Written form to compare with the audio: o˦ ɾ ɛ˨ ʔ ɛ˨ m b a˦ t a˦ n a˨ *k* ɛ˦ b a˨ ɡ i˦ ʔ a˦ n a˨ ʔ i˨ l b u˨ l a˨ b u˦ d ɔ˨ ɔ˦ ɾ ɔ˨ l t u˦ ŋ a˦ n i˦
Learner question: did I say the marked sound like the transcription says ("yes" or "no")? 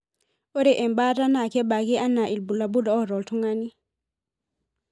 yes